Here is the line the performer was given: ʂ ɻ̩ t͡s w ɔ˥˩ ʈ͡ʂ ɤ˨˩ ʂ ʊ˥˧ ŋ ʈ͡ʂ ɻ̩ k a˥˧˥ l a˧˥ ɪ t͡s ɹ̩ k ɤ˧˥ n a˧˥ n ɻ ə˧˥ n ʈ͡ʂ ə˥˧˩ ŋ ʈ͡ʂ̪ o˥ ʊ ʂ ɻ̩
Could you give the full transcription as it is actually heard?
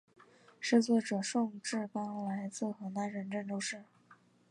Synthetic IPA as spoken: ʂ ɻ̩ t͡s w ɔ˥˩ ʈ͡ʂ ɤ˨˩ ʂ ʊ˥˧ ŋ ʈ͡ʂ ɻ̩ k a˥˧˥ l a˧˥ ɪ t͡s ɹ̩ x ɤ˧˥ n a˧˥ n ɻ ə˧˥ n ʈ͡ʂ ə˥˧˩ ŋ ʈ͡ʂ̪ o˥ ʊ ʂ ɻ̩

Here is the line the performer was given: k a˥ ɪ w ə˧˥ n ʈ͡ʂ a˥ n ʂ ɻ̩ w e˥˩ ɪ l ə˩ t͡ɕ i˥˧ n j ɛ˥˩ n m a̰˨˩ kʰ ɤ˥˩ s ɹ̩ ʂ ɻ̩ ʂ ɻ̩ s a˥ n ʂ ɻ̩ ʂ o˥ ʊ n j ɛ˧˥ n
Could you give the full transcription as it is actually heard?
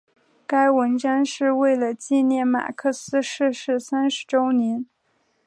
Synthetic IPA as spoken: k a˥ ɪ w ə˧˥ n ʈ͡ʂ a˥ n ʂ ɻ̩ w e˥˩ ɪ l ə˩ t͡ɕ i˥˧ n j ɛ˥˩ n m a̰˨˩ kʰ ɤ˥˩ s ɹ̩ ʂ ɻ̩ ʂ ɻ̩ s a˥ n ʂ ɻ̩ ʈ͡ʂ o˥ ʊ n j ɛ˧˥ n

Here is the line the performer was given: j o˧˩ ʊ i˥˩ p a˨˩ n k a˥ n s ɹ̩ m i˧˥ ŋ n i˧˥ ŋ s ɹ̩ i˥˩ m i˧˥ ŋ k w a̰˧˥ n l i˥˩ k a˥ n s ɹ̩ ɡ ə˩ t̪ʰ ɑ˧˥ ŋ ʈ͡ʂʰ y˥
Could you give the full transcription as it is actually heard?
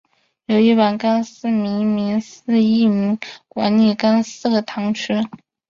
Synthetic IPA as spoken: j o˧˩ ʊ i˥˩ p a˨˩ n k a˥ n s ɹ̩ m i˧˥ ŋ m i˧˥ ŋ s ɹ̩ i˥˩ m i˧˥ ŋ k w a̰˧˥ n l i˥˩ k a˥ n s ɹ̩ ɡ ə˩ t̪ʰ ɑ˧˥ ŋ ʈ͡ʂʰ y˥

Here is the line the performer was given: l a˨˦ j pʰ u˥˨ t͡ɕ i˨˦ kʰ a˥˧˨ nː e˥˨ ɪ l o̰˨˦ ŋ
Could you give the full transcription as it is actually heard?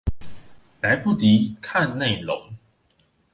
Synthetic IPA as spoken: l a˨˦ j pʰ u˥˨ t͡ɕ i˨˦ kʰ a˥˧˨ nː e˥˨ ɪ l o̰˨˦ ŋ

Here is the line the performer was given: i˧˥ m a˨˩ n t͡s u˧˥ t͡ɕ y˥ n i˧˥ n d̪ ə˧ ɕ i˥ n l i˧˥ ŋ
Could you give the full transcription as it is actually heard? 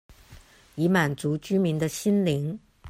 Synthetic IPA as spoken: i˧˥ m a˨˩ n t͡s u˧˥ t͡ɕ y˥ m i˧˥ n d̪ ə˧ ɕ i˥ n l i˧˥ ŋ

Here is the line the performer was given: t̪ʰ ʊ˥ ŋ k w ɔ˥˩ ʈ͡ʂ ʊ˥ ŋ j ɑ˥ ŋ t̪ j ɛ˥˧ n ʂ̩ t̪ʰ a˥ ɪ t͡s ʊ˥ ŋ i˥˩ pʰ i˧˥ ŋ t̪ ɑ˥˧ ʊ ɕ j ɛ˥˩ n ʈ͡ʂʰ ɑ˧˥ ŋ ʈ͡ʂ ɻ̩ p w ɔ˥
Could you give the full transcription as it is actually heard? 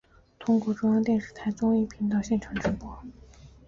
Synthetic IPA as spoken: t̪ʰ ʊ˥ ŋ k w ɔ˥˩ ʈ͡ʂ ʊ˥ ŋ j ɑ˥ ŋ t̪ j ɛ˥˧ n ʂ̩ t̪ʰ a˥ ɪ t͡s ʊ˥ ŋ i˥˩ pʰ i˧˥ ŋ t̪ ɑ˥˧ ʊ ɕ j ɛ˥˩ n ʈ͡ʂʰ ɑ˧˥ ŋ ʈ͡ʂ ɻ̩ p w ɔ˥

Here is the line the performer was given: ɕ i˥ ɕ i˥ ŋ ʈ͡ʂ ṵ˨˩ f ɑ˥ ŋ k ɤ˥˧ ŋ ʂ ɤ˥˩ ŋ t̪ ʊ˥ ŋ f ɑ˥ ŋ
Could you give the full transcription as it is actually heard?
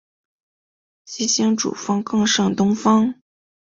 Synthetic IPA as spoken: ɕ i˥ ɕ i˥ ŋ ʈ͡ʂ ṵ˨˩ f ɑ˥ ŋ k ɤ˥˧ ŋ ʂ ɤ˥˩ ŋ t̪ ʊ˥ ŋ f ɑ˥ ŋ

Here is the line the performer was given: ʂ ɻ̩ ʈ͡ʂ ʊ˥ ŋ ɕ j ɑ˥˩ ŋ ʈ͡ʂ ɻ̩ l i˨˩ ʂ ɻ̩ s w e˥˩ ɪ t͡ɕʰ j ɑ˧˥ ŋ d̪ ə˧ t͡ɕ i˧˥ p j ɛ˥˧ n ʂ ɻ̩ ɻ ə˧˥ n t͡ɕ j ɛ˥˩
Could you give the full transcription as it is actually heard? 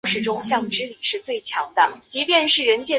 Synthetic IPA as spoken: ʂ ɻ̩ ʈ͡ʂ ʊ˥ ŋ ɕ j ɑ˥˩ ŋ ʈ͡ʂ ɻ̩ l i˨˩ ʂ ɻ̩ t͡s w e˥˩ ɪ t͡ɕʰ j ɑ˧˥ ŋ d̪ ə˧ t͡ɕ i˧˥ p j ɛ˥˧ n ʂ ɻ̩ ɻ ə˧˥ n t͡ɕ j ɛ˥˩

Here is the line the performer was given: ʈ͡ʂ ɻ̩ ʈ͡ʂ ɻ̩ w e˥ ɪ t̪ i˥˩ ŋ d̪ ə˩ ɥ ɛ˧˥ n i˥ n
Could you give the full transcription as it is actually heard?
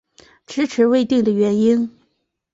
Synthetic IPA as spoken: ʈ͡ʂ ɻ̩ ʈ͡ʂʰ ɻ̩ w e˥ ɪ t̪ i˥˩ ŋ d̪ ə˩ ɥ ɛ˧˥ n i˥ n

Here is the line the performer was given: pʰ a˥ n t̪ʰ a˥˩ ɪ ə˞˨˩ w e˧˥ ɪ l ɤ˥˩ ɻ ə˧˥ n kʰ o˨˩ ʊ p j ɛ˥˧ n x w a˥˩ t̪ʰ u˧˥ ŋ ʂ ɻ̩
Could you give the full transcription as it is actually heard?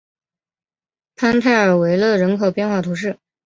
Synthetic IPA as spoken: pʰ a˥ n t̪ʰ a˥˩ ɪ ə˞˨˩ w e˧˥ ɪ l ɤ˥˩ ɻ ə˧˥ n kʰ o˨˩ ʊ p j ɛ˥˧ n x w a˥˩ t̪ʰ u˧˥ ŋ ʂ ɻ̩

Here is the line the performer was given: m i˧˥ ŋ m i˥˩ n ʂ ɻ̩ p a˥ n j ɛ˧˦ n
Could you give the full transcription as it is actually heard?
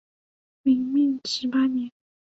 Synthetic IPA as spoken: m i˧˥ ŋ m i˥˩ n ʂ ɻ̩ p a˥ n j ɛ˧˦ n

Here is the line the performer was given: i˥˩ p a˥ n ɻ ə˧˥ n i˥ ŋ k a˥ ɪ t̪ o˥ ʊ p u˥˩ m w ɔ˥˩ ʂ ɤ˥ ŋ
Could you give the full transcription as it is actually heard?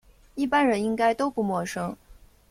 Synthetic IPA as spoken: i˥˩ p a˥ n ɻ ə˧˥ n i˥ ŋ k a˥ ɪ t̪ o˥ ʊ p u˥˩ m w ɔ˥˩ ʂ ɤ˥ ŋ

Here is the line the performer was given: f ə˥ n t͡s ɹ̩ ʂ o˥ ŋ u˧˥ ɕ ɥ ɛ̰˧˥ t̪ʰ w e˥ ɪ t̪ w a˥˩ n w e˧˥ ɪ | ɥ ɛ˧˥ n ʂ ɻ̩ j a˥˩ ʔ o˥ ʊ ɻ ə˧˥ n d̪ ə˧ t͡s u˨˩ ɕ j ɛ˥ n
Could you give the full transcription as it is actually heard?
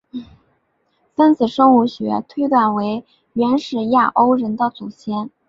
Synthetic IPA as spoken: f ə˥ n t͡s ɹ̩ ʂ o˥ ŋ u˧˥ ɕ ɥ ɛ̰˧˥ t̪ʰ w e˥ ɪ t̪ w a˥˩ n w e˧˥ ɪ | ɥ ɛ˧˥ n ʂ ɻ̩ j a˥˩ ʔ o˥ ʊ ɻ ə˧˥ n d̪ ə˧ t͡s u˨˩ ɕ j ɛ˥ n

